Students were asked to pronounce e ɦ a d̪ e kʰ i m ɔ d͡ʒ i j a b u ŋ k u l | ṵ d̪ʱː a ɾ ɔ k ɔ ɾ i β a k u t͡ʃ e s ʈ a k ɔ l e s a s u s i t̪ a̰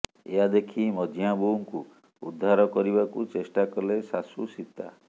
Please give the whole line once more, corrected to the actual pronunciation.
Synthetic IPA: e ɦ a d̪ e kʰ i m ɔ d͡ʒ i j a b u ŋ k u | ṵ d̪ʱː a ɾ ɔ k ɔ ɾ i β a k u t͡ʃ e s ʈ a k ɔ l e s a s u s i t̪ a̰